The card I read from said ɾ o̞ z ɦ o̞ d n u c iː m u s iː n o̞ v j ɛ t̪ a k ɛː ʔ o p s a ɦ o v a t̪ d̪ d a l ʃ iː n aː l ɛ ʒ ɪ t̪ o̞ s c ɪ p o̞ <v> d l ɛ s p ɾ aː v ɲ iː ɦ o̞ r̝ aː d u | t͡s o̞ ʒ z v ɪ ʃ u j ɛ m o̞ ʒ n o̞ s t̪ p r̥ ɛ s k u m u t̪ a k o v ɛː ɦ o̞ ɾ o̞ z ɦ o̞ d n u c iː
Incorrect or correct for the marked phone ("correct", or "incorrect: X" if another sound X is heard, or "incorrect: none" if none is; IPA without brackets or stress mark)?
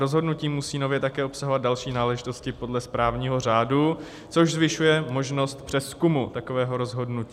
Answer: incorrect: none